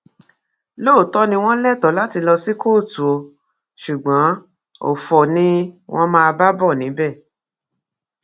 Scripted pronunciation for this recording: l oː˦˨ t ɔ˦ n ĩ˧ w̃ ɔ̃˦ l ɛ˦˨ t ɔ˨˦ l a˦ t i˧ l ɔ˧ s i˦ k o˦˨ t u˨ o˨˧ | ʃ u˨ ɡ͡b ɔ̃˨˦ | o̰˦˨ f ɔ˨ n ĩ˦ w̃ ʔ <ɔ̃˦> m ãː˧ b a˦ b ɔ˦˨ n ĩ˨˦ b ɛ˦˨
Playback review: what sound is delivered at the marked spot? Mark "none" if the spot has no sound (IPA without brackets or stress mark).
ɔ̃˦